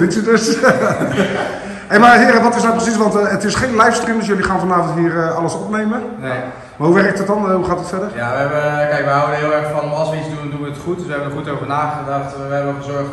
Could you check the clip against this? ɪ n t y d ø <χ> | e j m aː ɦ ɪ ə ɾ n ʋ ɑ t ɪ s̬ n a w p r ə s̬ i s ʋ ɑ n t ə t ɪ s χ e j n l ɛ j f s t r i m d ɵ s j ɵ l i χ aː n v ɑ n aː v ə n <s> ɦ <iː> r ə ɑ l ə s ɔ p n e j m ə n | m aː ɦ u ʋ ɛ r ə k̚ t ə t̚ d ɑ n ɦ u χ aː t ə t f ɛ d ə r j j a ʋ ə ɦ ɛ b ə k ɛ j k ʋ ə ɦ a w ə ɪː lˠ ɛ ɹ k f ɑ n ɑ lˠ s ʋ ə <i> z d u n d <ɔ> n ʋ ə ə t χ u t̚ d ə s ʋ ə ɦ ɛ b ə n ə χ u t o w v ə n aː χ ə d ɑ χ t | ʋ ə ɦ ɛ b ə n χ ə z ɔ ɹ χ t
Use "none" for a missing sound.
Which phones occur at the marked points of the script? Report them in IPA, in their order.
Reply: s, t, iː, i, u

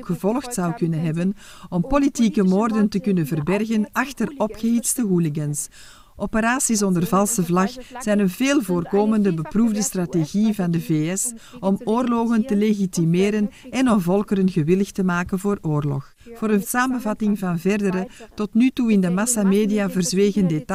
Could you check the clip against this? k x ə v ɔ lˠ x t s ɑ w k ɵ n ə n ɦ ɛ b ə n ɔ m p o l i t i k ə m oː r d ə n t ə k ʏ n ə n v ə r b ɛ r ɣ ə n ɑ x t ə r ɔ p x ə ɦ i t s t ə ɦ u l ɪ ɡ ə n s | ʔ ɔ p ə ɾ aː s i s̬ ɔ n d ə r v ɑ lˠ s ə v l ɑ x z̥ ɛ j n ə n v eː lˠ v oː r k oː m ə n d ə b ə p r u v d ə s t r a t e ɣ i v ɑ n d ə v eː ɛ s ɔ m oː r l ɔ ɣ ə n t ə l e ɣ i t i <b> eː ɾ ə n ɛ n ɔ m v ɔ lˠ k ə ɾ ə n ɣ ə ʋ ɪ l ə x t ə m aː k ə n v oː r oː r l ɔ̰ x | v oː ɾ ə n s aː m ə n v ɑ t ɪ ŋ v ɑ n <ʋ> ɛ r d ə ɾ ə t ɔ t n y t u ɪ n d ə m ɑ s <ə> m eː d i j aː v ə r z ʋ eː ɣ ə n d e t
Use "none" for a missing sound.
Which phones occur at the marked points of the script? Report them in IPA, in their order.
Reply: m, v, a

